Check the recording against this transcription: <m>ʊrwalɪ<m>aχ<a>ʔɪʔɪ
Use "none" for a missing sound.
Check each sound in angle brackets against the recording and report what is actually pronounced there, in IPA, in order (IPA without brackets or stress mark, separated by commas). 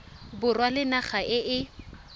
b, n, a